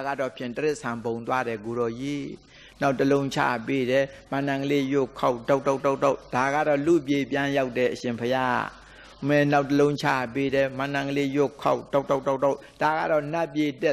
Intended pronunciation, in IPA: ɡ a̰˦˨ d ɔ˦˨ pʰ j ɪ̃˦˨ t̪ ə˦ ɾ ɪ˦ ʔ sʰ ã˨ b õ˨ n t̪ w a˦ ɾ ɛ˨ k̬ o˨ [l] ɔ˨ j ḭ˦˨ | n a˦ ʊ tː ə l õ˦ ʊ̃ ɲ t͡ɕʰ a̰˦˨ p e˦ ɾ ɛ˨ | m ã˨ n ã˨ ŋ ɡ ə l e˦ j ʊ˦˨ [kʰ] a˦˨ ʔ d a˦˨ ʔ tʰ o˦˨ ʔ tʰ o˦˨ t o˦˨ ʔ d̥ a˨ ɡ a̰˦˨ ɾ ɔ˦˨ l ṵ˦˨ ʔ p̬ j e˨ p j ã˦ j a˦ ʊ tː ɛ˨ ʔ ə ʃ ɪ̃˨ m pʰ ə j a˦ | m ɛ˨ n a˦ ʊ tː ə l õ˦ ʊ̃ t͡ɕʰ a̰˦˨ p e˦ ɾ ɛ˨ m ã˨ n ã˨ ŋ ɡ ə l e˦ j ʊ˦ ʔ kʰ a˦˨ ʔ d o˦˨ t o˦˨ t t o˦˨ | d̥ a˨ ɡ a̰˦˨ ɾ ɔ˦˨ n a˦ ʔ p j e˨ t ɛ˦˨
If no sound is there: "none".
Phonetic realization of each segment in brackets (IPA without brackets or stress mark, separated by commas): ɾ, kʰ